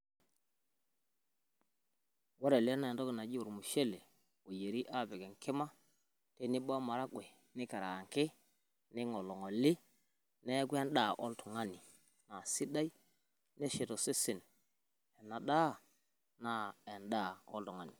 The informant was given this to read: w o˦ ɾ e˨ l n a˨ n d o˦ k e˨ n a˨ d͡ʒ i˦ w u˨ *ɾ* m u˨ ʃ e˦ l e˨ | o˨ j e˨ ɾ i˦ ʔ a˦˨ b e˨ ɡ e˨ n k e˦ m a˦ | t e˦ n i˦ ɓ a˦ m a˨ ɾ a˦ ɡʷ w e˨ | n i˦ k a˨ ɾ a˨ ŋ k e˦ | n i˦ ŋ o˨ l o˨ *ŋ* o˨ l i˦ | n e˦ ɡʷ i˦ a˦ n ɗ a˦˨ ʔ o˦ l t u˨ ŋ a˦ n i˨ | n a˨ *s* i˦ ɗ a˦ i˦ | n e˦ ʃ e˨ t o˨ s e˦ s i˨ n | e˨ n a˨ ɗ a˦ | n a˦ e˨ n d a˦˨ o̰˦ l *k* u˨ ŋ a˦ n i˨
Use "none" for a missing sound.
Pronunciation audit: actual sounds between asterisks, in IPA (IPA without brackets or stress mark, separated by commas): ɾ, ŋ, s, t